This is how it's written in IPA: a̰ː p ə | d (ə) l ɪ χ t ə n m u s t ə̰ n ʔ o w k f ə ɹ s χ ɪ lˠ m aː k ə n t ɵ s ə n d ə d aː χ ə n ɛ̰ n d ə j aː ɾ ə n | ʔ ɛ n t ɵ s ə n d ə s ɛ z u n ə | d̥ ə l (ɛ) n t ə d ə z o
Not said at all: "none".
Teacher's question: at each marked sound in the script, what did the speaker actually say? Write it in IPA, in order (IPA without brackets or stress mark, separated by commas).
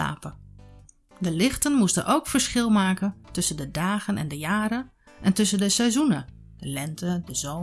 ə, ɛ